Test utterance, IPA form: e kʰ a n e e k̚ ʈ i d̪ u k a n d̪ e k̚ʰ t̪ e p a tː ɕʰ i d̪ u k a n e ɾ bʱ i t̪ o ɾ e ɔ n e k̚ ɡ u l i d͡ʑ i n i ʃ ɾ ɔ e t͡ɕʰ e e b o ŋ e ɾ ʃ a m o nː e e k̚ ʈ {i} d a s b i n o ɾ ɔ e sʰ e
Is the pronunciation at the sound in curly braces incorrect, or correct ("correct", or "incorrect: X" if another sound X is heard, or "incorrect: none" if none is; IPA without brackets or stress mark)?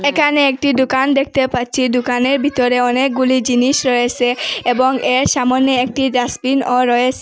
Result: correct